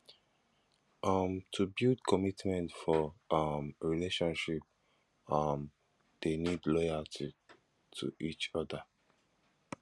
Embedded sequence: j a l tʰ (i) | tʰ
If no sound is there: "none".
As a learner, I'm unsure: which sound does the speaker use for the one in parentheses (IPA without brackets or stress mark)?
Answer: i